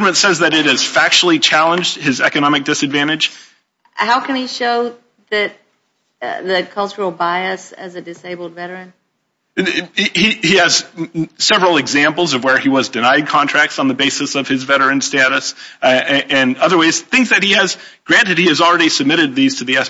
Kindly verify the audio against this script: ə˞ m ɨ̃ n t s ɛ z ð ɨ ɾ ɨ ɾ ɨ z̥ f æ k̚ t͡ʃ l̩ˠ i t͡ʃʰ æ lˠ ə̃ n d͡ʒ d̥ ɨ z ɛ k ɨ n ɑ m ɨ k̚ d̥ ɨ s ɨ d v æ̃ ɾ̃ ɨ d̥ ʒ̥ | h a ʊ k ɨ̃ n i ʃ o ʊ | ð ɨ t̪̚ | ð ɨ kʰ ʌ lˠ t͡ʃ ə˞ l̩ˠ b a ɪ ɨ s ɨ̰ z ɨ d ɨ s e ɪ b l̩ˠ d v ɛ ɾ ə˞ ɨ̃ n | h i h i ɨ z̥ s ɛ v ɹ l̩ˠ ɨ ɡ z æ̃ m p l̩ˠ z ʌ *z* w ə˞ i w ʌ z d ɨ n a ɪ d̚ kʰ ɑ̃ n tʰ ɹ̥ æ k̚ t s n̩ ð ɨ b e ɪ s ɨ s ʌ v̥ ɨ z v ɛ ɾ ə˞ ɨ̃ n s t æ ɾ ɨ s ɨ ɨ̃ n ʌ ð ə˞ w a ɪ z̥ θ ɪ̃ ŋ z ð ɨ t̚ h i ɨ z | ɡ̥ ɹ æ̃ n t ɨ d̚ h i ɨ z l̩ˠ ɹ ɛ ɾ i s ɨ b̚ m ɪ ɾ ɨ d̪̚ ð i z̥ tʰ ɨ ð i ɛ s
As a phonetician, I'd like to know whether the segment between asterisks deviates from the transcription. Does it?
yes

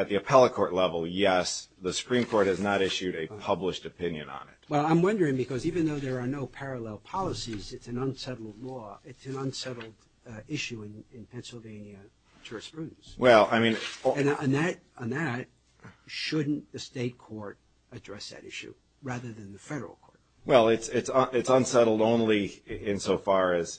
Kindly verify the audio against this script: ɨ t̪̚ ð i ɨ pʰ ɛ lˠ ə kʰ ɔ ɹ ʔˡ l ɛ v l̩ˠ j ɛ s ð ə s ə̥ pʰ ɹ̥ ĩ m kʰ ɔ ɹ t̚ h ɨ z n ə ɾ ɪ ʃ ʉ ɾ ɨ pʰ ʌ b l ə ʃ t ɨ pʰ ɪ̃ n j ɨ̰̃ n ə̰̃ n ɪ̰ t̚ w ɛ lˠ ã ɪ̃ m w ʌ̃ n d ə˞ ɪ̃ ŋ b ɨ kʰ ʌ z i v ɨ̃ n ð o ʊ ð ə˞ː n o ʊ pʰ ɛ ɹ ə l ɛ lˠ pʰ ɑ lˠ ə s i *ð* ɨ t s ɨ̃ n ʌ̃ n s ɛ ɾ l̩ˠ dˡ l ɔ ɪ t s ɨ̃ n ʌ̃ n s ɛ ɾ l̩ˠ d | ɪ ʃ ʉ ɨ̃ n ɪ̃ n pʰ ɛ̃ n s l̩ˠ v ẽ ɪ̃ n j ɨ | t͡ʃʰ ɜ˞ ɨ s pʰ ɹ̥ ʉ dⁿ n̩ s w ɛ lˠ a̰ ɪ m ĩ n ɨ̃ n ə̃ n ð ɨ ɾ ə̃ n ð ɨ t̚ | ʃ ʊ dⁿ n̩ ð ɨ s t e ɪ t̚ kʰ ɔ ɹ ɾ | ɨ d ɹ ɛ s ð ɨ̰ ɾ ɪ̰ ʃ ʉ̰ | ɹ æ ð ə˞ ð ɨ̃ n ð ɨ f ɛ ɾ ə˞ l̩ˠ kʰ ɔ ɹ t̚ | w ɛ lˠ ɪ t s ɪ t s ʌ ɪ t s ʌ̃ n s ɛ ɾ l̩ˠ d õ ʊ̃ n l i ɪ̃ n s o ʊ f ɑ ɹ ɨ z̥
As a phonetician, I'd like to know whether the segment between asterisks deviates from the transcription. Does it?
yes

